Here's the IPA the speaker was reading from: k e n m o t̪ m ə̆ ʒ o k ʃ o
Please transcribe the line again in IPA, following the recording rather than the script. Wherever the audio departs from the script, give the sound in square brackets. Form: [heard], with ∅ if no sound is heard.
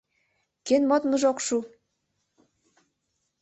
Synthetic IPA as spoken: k e n m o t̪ m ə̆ ʒ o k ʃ [u]